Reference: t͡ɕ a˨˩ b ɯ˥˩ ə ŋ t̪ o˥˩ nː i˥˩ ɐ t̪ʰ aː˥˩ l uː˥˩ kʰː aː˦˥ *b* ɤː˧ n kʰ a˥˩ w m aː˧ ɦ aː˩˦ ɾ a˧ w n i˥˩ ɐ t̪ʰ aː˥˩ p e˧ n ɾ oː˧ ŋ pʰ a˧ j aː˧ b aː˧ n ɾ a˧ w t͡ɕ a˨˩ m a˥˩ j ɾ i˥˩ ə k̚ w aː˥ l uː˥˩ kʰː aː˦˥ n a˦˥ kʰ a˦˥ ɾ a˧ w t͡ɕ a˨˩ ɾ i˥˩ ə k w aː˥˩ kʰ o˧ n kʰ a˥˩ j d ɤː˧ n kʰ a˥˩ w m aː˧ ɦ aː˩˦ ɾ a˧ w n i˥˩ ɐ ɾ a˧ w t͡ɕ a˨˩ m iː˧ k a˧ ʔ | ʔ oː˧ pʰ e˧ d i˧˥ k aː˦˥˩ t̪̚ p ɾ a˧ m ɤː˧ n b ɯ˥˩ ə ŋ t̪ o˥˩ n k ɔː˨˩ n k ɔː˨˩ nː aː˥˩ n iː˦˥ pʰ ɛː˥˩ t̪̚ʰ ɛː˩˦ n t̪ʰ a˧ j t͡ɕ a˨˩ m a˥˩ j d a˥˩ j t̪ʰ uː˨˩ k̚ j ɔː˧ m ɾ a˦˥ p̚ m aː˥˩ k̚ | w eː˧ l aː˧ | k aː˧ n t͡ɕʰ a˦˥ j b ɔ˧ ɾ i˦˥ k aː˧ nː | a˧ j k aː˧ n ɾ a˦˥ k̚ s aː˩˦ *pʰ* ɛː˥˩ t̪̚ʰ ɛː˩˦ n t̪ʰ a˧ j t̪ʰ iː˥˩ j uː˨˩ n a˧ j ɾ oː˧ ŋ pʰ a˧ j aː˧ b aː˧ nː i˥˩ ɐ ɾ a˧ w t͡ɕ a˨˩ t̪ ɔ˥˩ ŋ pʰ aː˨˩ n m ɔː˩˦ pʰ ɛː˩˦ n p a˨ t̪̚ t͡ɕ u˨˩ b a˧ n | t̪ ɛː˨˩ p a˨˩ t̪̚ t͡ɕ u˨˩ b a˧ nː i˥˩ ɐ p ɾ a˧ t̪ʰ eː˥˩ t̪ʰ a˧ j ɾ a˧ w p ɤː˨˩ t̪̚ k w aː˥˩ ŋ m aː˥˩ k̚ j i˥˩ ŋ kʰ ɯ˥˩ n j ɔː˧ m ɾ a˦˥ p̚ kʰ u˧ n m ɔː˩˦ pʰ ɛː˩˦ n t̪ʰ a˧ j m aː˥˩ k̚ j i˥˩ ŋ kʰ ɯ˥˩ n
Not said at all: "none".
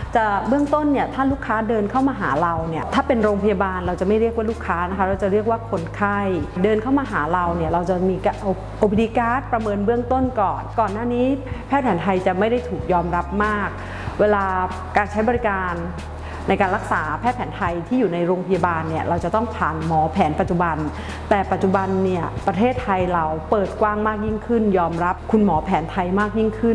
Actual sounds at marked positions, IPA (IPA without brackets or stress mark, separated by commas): d, pʰ